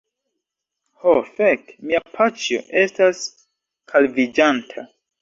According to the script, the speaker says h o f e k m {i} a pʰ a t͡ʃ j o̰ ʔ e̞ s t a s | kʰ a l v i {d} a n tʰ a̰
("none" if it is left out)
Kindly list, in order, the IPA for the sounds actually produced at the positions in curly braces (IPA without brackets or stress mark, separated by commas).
i, d͡ʒ